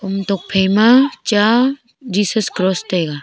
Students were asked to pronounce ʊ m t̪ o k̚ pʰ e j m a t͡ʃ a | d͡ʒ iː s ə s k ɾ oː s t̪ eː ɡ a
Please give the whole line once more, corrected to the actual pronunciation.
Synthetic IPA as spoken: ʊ m t̪ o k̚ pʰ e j m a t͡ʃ a | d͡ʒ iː s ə s k ɾ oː s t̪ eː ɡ a